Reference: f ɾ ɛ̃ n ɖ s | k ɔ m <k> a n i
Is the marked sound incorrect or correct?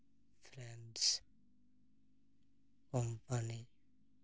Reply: incorrect